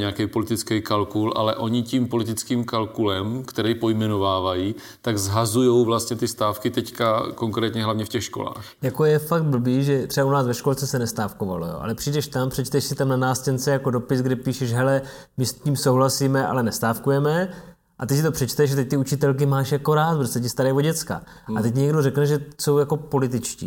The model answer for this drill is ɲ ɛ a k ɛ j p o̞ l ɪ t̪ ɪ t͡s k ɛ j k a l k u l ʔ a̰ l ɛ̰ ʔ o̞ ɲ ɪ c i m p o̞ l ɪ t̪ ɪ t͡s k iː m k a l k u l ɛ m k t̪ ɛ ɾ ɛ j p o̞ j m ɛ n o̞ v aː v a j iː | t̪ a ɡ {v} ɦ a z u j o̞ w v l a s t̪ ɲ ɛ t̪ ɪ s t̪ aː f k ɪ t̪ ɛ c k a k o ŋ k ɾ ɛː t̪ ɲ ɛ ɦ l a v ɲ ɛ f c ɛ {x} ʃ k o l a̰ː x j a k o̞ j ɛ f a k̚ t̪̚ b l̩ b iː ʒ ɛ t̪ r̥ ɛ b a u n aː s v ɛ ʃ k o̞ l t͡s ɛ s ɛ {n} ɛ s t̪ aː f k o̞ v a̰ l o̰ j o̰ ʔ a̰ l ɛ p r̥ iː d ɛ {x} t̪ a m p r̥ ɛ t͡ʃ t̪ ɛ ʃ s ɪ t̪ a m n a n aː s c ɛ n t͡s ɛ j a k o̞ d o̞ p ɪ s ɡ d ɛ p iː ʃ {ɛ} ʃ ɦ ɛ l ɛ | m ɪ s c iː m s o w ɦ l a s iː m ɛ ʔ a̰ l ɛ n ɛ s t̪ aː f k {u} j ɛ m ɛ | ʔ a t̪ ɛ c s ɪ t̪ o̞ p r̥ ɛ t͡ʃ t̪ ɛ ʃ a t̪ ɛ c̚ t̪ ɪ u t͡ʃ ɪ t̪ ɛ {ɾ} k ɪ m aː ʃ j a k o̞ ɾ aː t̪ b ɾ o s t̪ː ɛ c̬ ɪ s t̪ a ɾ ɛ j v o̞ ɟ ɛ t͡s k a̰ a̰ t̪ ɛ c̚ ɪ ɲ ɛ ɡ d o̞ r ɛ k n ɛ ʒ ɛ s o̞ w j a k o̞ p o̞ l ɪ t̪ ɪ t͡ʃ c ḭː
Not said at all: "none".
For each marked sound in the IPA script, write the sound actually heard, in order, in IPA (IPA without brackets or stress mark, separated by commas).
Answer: z, x, n, ʃ, ɛ, u, l